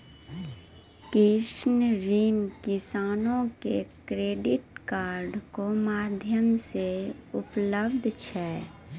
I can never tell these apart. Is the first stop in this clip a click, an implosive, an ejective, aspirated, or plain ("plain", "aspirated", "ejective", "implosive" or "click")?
plain